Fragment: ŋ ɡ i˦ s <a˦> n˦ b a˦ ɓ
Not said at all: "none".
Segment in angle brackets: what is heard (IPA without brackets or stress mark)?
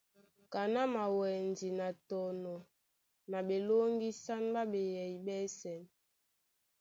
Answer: a˦